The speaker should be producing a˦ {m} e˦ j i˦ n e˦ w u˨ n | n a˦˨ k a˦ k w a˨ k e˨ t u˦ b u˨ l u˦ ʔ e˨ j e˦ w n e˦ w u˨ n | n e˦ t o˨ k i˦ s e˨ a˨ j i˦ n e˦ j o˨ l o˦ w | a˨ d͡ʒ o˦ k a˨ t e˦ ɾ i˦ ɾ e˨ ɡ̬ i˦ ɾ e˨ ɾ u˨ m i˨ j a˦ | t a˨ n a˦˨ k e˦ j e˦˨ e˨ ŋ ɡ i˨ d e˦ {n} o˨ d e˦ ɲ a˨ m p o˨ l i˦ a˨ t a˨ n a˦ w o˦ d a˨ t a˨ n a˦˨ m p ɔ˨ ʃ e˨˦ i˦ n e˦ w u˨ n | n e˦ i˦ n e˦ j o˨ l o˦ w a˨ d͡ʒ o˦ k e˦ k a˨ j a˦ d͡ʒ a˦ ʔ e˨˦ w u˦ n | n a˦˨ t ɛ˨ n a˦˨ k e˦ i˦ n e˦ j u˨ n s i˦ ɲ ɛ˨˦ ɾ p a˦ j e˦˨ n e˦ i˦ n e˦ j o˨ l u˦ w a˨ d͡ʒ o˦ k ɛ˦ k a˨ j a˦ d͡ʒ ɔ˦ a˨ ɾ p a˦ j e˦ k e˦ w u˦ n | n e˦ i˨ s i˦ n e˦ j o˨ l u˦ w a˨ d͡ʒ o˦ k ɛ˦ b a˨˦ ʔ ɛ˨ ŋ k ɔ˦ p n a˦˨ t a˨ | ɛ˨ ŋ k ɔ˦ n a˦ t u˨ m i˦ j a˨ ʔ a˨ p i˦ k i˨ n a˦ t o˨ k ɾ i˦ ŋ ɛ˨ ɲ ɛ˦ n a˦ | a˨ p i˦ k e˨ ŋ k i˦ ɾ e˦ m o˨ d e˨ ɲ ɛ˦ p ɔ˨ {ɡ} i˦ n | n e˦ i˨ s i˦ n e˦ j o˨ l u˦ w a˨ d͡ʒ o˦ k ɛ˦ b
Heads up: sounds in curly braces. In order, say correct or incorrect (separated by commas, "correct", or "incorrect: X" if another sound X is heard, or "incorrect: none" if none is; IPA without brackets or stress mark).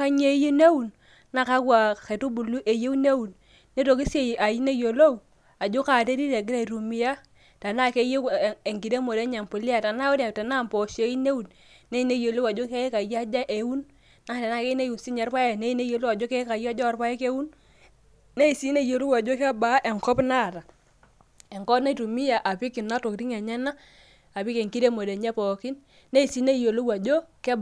incorrect: ɲ, incorrect: m, incorrect: k